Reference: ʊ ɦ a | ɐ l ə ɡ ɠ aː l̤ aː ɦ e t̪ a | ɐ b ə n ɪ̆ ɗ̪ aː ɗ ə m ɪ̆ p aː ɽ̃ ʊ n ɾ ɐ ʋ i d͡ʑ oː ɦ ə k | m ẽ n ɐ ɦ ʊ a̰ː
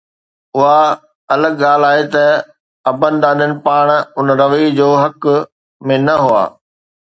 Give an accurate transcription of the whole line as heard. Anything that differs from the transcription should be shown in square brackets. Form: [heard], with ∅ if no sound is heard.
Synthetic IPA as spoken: ʊ ɦ a | ɐ l ə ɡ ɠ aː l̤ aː ɦ e t̪ [ɐ] | ɐ b ə n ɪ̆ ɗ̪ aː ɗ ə [n] ɪ̆ p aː ɽ̃ ʊ n ɾ ɐ ʋ i d͡ʑ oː ɦ [ɐ] k | m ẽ n ɐ ɦ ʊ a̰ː